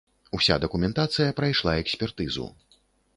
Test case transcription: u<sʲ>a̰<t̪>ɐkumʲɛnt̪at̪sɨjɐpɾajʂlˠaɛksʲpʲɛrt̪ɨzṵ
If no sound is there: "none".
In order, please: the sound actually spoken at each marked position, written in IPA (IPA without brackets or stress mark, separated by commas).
sʲ, d̪